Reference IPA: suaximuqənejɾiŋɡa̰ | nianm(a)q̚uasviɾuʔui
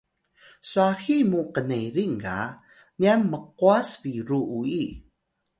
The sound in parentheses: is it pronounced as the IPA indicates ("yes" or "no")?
no